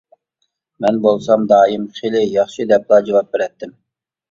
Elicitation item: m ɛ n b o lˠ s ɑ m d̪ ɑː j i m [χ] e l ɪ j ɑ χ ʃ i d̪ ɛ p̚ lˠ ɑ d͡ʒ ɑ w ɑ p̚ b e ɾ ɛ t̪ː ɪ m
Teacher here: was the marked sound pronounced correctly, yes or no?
yes